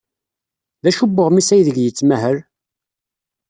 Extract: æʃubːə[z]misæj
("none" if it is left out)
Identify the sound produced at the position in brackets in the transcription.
ʁ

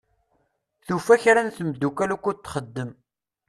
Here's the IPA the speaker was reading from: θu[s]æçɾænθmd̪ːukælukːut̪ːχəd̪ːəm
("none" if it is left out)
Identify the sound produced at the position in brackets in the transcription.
f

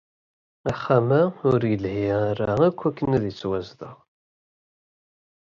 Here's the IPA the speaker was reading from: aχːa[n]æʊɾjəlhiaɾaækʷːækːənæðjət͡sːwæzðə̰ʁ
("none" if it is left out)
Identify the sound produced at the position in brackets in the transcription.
m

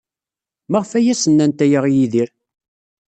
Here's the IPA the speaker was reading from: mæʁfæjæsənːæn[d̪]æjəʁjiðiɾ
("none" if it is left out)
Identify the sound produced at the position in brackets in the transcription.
t̪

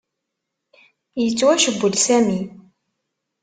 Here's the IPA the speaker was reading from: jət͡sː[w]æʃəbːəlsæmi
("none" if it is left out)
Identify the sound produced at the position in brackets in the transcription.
w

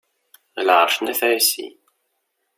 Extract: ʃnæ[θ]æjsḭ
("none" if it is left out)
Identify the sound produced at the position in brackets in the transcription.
θ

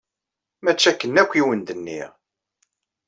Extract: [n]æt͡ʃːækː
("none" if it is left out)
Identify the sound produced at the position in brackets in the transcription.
m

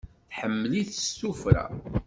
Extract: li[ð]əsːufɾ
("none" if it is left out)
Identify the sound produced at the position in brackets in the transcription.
θ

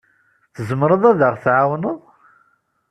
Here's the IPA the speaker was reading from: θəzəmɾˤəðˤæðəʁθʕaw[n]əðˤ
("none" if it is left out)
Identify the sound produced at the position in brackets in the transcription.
n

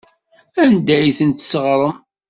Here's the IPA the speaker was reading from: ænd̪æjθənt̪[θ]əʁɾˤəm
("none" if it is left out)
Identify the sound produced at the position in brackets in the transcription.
s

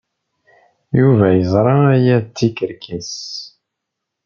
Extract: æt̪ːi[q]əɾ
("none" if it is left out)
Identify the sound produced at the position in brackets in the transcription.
k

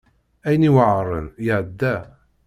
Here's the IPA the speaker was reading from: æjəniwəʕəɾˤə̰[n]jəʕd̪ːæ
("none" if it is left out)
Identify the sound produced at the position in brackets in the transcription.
n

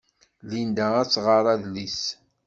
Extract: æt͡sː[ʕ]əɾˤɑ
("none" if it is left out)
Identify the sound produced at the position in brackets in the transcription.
ʁ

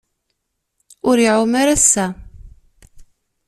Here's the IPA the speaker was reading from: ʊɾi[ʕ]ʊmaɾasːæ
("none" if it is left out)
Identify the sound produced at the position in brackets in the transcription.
ʕ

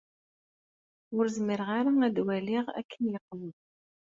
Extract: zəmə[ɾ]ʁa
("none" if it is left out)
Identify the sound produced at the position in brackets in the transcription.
ɾ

